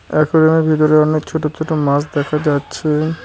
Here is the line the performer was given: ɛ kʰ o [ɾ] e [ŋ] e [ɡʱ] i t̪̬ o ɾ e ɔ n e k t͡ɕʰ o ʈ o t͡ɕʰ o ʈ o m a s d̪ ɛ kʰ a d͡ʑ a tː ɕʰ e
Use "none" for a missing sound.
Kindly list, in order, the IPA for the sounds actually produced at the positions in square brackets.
ɾ, m, bʱ

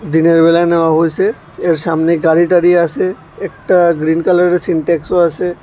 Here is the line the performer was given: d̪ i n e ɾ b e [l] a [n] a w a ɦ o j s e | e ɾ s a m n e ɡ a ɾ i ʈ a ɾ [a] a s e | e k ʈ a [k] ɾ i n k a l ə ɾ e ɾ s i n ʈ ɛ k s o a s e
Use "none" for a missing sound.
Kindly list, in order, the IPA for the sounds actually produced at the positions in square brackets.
l, n, i, ɡ

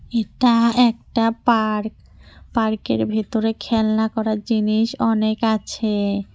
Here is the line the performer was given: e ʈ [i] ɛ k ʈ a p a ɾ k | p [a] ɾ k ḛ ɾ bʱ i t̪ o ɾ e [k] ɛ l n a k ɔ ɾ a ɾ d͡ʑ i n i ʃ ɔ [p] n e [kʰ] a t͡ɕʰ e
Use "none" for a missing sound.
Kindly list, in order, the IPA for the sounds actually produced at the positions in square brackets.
a, a, kʰ, none, k

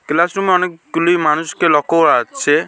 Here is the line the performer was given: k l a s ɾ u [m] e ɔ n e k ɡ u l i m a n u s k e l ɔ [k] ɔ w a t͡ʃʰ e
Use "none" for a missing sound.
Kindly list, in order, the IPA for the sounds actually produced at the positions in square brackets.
m, k

